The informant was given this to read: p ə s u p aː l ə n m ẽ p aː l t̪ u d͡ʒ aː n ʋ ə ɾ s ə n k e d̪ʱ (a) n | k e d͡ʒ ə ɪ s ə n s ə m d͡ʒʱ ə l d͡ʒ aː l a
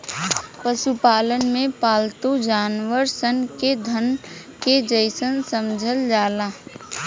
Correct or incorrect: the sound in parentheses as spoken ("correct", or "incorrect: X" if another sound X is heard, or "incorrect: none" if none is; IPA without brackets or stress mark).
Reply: incorrect: ə